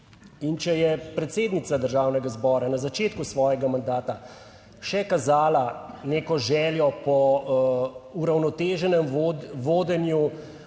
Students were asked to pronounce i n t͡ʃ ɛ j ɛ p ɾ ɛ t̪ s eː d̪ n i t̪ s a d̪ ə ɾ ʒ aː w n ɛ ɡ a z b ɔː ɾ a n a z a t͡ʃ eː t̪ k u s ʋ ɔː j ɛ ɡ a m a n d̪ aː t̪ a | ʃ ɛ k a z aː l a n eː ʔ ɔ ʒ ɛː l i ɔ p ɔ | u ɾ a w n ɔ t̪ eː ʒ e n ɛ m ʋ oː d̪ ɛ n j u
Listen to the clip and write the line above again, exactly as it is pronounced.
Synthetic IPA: i n t͡ʃ ɛ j ɛ p ɾ ɛ t̪ s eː d̪ n i t̪ s a d̪ ə ɾ ʒ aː w n ɛ ɡ a z b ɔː ɾ a n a z a t͡ʃ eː t̪ k u s ʋ ɔː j ɛ ɡ a m a n d̪ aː t̪ a | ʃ ɛ k a z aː l a n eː k ɔ ʒ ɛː l j ɔ p ɔ | u ɾ a w n ɔ t̪ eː ʒ ɛ n ɛ m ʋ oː d̪ ɛ n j u